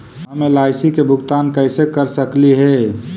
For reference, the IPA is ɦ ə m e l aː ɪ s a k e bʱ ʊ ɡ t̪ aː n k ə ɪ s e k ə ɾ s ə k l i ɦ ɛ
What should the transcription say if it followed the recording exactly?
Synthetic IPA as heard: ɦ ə m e l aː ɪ s i k e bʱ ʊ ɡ t̪ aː n k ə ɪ s e k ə ɾ s ə k l i ɦ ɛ